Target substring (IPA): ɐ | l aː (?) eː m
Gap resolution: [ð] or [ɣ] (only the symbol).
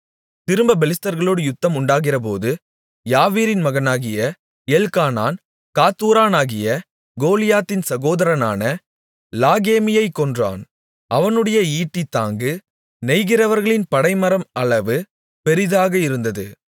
ɣ